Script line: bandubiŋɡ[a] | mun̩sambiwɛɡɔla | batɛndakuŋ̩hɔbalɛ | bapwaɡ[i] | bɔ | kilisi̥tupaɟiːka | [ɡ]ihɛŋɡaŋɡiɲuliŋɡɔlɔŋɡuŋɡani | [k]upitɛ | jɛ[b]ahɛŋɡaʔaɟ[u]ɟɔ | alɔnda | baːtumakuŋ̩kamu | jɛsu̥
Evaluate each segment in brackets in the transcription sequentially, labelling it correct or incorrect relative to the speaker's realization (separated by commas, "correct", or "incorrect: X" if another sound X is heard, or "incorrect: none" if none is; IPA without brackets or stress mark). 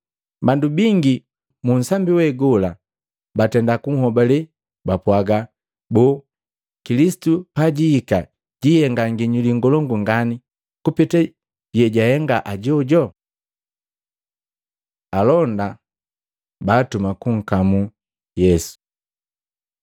incorrect: i, incorrect: a, incorrect: ɟ, correct, incorrect: ɟ, incorrect: ɔ